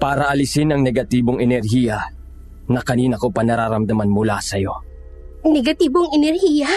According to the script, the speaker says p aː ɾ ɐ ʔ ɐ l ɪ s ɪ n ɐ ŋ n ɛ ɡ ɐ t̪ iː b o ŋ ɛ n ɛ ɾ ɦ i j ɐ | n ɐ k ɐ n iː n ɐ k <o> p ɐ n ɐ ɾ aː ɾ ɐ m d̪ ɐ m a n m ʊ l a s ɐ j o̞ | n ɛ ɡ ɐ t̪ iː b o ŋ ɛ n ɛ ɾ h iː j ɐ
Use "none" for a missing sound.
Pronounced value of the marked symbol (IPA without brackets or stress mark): o